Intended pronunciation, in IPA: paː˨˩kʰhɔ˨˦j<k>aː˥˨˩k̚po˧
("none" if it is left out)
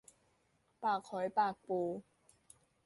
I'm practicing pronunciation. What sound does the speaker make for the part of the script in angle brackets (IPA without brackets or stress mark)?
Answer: p